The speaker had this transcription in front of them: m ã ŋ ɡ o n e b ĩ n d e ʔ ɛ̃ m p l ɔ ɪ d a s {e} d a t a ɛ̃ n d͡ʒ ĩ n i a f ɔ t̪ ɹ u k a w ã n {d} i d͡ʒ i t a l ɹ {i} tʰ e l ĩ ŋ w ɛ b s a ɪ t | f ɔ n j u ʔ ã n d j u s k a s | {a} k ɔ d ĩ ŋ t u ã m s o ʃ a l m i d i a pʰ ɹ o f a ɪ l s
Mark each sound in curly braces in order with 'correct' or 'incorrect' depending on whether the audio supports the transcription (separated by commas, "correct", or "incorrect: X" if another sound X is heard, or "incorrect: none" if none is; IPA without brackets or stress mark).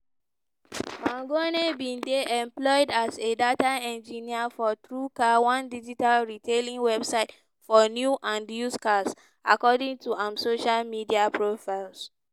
correct, correct, correct, correct